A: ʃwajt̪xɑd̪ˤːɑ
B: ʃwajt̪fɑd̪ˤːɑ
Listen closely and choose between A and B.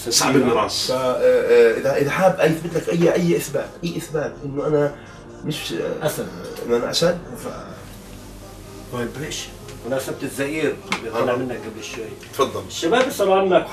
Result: B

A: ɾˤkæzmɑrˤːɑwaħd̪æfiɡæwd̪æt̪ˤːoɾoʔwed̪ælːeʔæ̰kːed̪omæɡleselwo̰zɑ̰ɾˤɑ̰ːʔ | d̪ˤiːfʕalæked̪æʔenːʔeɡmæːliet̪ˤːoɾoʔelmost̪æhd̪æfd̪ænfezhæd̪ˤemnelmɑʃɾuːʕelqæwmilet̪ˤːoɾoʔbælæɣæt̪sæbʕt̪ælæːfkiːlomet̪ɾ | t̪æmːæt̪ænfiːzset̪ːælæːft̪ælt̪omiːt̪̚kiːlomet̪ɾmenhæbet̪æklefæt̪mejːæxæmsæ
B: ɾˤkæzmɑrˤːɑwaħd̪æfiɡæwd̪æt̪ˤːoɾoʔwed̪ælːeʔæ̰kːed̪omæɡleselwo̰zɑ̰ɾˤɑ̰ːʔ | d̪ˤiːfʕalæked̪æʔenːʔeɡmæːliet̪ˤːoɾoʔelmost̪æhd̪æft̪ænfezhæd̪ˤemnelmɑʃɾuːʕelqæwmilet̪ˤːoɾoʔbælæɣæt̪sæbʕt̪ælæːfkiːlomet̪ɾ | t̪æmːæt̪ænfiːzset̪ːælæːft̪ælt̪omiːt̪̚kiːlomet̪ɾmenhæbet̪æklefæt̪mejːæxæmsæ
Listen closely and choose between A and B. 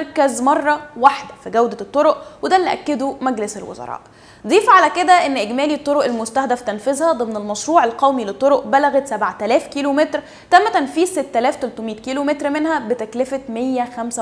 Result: B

